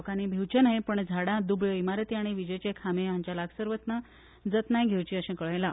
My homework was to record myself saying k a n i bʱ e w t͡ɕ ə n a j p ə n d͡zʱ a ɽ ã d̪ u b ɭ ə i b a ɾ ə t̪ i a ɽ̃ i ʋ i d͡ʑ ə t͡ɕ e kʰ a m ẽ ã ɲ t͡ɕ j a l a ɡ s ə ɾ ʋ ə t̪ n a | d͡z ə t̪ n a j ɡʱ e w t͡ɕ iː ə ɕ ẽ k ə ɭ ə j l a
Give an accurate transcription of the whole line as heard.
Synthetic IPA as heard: k a n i bʱ e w t͡ɕ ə n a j p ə ɳ d͡zʱ a ɽ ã d̪ u b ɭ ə i m a ɾ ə t̪ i a ɽ̃ i ʋ i d͡ʑ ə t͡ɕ e kʰ a m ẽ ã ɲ t͡ɕ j a l a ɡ s ə ɾ ʋ ə t̪ n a | d͡z ə t̪ n a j ɡʱ e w t͡ɕ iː ə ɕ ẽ k ə ɭ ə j l a